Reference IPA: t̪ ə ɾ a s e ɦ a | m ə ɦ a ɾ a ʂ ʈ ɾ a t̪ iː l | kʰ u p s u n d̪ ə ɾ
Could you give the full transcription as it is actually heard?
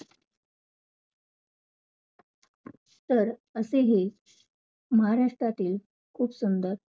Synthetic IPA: t̪ ə ɾ ə s e ɦ e | m ə ɦ a ɾ a ʂ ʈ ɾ a t̪ iː l | kʰ uː p s u n d̪ ə ɾ

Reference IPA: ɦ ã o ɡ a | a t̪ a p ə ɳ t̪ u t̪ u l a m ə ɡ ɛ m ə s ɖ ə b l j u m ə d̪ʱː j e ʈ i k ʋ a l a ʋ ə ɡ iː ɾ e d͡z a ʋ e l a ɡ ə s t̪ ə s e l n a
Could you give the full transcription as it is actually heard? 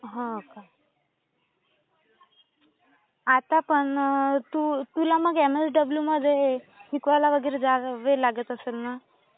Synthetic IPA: ɦ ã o k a | a t̪ a p ə ɳ t̪ u t̪ u l a m ə ɡ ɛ m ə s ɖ ə b l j u m ə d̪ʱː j e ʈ i k ʋ a l a ʋ ə ɡ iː ɾ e d͡z a ʋ e l a ɡ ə t̪ ə s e l n a

